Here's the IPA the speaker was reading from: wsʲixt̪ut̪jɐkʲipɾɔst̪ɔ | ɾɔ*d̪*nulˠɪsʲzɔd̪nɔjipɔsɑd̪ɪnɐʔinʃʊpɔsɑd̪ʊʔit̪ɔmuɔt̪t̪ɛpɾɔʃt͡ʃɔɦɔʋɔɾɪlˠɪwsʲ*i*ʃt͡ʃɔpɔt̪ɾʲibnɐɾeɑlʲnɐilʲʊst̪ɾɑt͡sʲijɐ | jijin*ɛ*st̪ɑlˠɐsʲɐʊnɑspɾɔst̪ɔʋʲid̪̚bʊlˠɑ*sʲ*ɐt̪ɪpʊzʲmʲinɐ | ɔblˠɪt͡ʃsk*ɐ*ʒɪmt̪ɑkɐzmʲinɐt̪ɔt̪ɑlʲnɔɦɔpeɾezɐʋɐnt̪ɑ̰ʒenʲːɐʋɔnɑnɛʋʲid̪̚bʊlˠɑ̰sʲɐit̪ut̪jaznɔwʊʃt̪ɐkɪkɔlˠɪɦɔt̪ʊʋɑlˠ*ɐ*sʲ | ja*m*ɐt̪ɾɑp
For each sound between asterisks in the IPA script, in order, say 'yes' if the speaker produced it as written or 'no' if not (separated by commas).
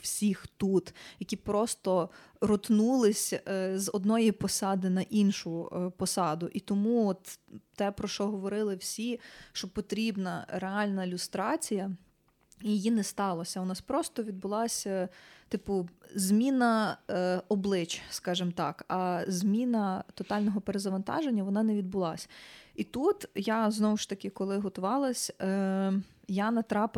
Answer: no, yes, yes, yes, no, yes, no